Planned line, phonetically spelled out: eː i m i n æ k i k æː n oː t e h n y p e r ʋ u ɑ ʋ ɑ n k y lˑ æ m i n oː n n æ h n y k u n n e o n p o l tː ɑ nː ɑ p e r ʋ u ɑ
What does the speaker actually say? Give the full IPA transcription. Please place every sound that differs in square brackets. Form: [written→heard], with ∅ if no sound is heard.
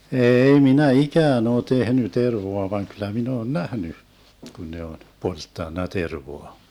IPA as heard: eː i m i n æ [k→∅] i k æː n oː t e h n y [p→t] e r ʋ [u→o] ɑ ʋ ɑ [n→ŋ] k y lˑ æ m i n oː n n æ h n y k u n n e o n p o l tː ɑ nː ɑ [p→t] e r ʋ [u→o] ɑ